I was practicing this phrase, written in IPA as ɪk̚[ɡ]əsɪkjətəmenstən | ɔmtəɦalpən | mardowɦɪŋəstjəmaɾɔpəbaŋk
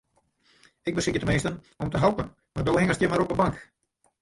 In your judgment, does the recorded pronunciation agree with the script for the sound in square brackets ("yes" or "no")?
no